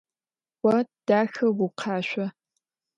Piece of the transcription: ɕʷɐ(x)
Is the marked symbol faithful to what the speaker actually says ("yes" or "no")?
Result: no